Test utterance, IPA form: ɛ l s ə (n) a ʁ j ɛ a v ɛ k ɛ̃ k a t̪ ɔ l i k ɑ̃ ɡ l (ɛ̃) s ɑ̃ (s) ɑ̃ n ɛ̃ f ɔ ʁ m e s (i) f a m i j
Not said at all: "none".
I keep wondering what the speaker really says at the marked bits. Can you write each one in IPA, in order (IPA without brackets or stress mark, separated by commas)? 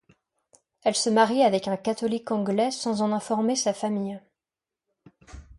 m, ɛ, z, a